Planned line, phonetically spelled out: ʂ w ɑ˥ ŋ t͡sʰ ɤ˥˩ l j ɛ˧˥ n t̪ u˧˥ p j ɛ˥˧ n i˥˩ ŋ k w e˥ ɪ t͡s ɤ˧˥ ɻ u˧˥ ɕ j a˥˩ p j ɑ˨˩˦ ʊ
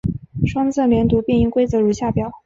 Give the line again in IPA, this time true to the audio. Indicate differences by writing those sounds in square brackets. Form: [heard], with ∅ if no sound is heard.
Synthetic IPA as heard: ʂ w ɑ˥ ŋ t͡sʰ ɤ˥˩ l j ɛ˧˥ n t̪ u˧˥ p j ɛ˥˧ n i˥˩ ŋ k w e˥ ɪ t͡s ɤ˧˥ ɻ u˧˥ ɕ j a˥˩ p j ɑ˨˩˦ ʊ